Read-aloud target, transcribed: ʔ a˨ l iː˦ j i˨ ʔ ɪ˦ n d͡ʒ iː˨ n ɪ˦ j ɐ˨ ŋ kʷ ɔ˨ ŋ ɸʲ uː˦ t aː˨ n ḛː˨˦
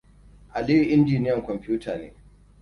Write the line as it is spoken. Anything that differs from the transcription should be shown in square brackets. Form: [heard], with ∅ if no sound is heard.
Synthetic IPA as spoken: ʔ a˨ l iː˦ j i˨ ʔ ɪ˦ n d͡ʒ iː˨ n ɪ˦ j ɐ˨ ŋ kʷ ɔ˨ [m] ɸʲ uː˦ t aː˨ n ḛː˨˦